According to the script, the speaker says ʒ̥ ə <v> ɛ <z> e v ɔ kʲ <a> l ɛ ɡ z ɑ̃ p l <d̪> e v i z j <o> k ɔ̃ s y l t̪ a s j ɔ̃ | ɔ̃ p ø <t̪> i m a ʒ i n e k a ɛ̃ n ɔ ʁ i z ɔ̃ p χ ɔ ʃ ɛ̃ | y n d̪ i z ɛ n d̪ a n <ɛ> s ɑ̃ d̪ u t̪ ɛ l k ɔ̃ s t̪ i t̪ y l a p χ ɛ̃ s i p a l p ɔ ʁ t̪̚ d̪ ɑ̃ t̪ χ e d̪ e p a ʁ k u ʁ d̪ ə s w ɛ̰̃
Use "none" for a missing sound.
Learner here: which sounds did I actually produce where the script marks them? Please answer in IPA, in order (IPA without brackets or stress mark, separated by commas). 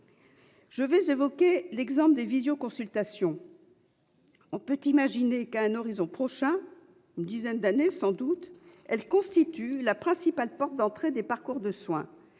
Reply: v, z, e, d̪, o, t̪, e